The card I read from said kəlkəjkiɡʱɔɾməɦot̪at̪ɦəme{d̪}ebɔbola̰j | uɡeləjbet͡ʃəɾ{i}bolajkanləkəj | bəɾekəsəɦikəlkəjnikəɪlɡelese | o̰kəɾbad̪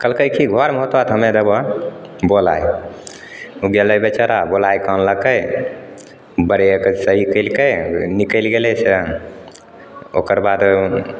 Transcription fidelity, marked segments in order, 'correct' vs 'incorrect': correct, incorrect: a

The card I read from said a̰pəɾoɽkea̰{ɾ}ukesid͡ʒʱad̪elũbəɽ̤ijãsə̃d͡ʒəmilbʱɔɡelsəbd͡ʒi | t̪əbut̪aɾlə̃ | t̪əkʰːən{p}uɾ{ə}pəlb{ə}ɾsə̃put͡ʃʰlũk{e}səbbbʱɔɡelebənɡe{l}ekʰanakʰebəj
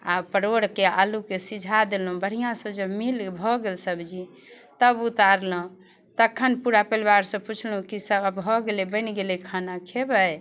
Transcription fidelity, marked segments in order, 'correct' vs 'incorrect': incorrect: l, correct, incorrect: a, incorrect: a, incorrect: i, correct

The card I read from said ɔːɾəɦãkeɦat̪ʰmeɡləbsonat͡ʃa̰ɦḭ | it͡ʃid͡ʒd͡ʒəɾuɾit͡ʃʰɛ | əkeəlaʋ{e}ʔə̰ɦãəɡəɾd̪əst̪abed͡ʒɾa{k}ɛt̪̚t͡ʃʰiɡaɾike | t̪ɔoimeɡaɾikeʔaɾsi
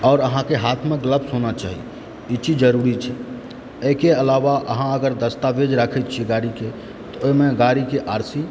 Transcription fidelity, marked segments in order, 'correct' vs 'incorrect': incorrect: a, incorrect: kʰ

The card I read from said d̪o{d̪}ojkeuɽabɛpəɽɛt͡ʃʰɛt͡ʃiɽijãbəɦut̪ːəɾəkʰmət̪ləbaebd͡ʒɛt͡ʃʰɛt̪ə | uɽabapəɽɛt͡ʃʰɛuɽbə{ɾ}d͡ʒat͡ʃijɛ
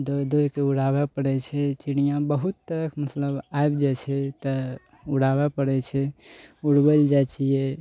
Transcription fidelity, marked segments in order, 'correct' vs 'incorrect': correct, incorrect: l

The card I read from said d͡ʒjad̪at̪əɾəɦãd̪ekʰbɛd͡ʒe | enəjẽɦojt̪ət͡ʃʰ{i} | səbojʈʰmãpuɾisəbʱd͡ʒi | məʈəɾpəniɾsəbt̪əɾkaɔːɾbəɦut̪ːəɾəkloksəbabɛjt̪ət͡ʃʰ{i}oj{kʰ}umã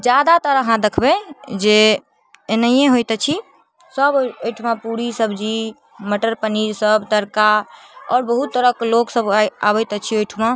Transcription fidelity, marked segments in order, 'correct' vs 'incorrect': correct, correct, incorrect: ʈʰ

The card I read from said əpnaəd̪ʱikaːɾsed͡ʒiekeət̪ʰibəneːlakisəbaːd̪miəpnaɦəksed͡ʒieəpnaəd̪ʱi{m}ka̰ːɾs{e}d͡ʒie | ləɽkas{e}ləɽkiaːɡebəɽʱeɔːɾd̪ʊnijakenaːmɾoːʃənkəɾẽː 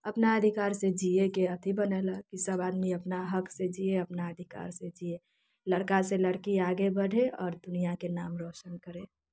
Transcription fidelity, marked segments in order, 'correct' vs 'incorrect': incorrect: none, correct, correct

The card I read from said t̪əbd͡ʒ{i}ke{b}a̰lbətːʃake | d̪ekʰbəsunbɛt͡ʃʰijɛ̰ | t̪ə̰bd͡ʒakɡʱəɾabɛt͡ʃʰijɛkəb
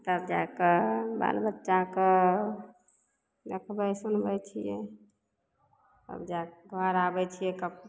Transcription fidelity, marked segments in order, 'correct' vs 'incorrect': incorrect: a, correct

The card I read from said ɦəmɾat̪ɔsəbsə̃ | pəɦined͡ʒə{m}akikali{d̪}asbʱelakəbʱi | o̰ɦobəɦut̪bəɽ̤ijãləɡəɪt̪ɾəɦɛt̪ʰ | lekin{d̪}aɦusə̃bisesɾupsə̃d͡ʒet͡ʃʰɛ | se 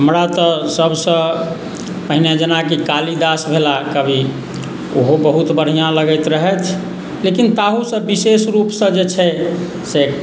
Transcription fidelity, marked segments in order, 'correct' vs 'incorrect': incorrect: n, correct, incorrect: t̪

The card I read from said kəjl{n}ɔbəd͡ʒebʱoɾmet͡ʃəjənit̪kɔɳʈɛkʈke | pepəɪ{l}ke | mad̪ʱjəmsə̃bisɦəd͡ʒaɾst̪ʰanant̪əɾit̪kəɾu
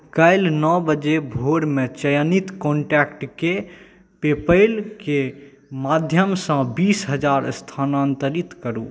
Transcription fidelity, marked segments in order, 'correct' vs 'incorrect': correct, correct

